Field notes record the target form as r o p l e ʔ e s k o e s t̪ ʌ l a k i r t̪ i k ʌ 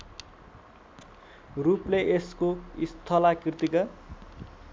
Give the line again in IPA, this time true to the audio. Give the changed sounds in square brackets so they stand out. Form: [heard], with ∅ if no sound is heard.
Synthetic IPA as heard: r [u] p l e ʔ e s k o [i] s [t̪ʰ] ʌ l a k i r t̪ i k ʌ